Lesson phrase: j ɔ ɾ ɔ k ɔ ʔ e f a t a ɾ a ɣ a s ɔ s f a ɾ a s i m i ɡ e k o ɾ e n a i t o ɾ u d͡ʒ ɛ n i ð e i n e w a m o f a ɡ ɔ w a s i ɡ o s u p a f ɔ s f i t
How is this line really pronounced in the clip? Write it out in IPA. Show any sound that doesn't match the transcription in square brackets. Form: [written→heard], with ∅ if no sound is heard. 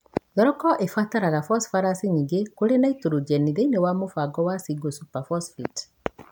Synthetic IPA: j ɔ ɾ ɔ k ɔ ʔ e f a t a ɾ a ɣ a [s→f] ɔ s f a ɾ a s i [m→ɲ] i ɡ e k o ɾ e n a i t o ɾ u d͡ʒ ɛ n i ð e i n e w a m o f a ɡ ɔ w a s i ɡ o s u p a f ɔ s f i t